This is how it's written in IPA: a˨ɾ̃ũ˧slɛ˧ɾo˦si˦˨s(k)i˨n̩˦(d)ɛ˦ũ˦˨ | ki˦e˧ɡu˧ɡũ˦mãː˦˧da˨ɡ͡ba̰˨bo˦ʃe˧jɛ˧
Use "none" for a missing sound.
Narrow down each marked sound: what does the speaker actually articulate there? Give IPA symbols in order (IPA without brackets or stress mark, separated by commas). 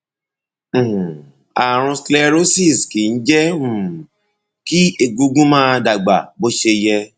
k, d͡ʒ